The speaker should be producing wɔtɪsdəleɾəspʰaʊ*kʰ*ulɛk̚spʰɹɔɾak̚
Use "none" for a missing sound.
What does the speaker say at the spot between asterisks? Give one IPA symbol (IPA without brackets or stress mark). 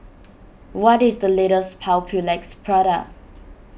pʰ